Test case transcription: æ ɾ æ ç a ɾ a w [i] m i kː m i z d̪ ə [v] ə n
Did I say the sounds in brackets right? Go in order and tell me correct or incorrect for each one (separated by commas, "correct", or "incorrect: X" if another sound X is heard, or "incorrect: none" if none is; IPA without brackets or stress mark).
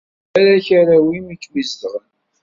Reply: correct, incorrect: ʁ